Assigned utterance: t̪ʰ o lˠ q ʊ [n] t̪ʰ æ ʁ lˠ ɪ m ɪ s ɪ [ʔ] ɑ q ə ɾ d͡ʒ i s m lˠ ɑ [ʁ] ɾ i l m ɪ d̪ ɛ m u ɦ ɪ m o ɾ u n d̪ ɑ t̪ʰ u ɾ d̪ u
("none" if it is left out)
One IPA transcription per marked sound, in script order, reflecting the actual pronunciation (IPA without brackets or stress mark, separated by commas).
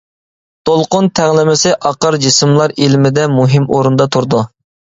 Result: n, ʔ, none